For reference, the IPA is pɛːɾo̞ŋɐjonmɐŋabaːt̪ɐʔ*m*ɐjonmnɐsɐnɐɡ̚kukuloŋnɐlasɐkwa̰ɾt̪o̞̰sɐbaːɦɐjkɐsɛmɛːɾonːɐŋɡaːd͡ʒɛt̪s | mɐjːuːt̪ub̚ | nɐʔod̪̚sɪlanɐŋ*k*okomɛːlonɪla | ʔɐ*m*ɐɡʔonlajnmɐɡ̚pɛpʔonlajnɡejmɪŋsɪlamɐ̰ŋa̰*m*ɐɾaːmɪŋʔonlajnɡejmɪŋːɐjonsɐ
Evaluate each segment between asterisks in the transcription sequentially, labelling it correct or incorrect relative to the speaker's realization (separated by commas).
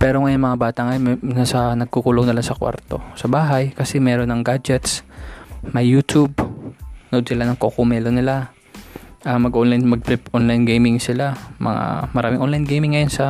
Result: incorrect, correct, correct, correct